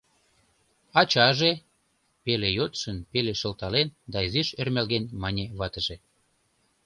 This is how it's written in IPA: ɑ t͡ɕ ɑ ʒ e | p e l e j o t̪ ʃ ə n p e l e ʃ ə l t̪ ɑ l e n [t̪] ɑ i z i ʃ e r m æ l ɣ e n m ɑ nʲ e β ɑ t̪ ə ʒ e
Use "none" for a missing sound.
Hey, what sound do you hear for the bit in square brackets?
d̪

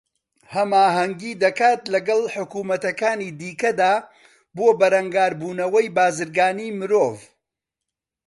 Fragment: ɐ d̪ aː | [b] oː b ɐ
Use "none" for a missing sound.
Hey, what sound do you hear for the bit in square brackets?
b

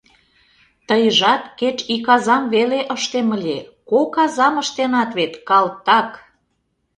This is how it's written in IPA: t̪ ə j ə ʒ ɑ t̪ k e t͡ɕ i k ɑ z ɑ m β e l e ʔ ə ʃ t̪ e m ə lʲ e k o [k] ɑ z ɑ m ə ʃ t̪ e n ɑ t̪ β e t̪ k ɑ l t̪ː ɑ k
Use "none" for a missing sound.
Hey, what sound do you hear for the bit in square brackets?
k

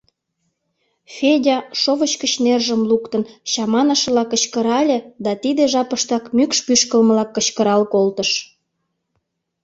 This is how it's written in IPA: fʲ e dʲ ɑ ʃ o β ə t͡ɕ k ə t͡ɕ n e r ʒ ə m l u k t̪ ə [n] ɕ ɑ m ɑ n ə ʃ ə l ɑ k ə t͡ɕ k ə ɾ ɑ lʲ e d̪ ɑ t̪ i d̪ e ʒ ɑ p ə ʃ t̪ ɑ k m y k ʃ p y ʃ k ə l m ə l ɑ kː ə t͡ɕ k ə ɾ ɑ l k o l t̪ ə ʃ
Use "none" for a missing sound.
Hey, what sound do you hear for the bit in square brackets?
n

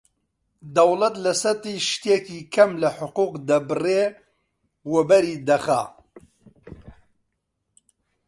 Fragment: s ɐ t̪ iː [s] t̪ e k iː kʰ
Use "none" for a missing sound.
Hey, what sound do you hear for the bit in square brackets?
ʃ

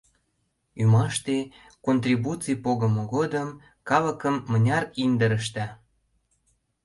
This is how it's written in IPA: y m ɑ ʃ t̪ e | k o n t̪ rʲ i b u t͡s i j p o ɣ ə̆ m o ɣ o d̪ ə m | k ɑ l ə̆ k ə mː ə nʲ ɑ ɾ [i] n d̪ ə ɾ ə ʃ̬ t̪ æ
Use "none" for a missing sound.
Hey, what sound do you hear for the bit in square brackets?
i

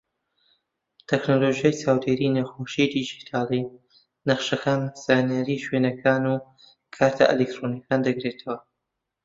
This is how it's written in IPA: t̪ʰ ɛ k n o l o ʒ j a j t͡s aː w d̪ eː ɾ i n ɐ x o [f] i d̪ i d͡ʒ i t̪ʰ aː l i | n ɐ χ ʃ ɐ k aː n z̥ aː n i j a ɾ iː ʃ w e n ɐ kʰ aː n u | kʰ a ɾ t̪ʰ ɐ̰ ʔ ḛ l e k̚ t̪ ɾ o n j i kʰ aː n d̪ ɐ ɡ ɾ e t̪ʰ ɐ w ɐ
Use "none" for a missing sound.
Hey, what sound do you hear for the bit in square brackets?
ʃ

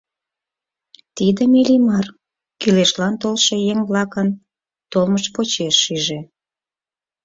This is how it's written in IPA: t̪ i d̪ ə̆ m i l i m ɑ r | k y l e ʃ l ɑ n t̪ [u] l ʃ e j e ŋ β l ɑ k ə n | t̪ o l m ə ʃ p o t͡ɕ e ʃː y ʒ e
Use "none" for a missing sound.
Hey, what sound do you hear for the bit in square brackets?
o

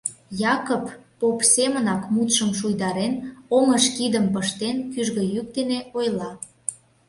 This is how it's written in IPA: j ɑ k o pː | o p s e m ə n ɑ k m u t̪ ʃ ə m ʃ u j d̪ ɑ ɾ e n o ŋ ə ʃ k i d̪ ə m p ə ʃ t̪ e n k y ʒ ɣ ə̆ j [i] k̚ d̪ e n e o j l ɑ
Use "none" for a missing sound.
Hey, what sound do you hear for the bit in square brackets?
y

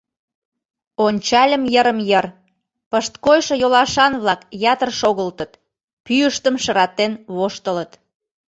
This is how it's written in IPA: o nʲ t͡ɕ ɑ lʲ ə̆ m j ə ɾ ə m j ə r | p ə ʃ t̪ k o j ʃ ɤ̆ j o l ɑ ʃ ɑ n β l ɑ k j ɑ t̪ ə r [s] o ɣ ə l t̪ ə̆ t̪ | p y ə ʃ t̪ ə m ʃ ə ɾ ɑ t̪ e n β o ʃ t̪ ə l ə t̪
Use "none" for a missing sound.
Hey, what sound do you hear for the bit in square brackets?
ʃ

